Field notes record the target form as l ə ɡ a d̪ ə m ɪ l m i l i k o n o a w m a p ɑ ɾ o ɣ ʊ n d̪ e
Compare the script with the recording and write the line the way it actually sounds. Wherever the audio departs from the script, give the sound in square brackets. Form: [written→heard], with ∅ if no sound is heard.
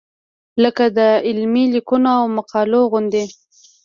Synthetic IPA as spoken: l ə [ɡ→k] a d̪ ə [m→∅] ɪ l m i l i k [o→u] n o a w m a [p→q] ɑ [ɾ→l] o ɣ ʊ n d̪ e